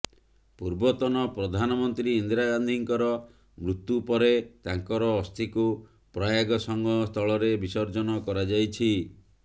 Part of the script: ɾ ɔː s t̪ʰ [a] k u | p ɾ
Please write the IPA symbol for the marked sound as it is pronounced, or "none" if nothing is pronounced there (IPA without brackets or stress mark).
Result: i